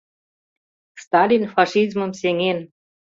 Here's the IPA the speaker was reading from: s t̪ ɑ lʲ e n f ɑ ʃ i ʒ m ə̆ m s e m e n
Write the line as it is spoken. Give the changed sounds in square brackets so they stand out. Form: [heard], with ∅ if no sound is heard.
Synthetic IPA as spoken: s t̪ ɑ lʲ [i] n f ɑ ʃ i [z] m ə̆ m s e [ŋ] e n